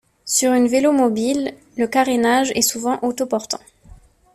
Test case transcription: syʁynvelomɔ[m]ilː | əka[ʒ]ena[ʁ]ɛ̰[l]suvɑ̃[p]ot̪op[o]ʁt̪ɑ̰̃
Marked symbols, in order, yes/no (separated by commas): no, no, no, no, no, no